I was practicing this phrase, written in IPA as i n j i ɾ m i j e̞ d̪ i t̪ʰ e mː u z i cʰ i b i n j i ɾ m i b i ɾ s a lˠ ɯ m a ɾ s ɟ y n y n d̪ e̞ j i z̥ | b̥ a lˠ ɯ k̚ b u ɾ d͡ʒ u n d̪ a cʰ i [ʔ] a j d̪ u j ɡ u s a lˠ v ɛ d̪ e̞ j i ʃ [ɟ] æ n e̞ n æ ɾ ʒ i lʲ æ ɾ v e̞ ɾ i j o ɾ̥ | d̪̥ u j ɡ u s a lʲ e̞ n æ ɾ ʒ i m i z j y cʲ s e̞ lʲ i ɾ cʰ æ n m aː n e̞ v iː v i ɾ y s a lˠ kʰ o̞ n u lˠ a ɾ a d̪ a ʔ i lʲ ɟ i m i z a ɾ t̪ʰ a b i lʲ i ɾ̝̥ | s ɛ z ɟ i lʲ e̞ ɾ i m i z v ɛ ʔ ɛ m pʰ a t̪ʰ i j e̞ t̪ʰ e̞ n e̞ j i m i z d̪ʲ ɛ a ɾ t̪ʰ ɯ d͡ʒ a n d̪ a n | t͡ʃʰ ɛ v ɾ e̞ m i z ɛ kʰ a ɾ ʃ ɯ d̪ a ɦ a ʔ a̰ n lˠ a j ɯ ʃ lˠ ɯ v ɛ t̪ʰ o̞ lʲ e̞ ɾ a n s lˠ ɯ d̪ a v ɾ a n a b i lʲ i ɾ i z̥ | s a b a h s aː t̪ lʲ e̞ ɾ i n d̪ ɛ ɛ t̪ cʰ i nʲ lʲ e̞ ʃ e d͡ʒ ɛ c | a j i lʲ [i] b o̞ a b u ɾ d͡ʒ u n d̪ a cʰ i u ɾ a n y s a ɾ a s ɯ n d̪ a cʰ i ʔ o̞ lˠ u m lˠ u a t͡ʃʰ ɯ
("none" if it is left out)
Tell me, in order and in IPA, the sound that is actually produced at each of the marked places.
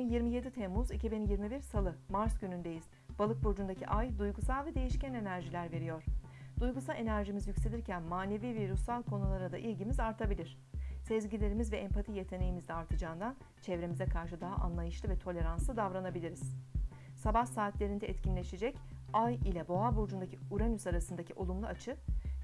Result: ʔ, c, ɛ

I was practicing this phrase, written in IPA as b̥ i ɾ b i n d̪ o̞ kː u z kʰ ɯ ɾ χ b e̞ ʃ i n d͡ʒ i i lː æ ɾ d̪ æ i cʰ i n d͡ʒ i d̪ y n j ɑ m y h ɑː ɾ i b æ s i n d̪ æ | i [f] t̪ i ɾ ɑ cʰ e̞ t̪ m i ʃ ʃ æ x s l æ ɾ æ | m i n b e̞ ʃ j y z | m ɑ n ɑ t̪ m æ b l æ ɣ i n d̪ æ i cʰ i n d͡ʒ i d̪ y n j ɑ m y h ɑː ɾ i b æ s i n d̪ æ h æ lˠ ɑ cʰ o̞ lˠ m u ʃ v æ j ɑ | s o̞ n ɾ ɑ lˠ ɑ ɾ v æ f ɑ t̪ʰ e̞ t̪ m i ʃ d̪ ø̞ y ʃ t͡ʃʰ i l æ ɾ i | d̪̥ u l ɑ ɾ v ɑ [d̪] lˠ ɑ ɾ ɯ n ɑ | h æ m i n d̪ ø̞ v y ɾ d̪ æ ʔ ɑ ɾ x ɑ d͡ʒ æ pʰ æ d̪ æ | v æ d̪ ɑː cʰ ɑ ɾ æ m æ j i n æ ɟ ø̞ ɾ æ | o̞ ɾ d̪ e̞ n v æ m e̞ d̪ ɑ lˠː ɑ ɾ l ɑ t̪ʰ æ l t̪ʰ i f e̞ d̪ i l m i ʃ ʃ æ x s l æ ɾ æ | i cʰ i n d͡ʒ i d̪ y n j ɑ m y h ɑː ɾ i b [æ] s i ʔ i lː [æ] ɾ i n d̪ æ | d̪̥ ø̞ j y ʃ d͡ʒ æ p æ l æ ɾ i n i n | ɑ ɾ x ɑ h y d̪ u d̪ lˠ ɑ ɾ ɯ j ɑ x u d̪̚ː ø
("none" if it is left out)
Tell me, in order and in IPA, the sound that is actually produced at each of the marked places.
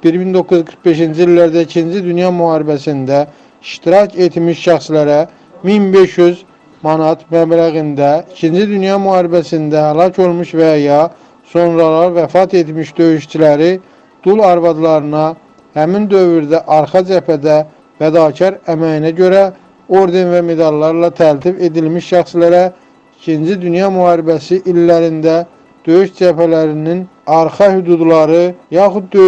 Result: ʃ, d̪, æ, æ

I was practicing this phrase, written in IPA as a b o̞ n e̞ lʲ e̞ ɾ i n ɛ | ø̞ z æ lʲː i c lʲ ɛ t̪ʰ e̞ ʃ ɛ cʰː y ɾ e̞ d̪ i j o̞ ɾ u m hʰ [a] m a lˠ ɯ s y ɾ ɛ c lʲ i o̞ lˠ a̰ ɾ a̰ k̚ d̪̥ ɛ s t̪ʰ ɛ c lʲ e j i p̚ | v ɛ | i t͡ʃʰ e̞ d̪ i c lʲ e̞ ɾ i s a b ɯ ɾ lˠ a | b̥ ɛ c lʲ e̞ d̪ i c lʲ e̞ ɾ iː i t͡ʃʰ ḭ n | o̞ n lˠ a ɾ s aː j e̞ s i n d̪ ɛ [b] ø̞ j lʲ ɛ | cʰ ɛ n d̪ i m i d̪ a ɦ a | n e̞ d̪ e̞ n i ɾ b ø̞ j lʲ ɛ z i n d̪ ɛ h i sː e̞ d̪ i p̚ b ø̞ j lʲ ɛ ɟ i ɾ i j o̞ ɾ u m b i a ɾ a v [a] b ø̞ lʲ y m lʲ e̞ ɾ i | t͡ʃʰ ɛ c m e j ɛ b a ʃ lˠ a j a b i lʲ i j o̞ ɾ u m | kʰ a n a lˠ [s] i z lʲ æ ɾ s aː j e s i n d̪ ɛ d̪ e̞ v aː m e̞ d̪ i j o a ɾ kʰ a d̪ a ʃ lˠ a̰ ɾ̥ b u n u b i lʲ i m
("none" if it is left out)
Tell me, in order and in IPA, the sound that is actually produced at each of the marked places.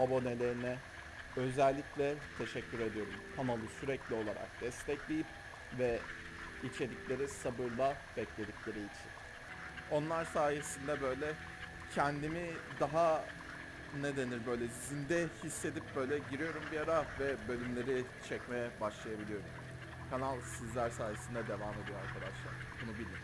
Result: a, b, ɛ, s

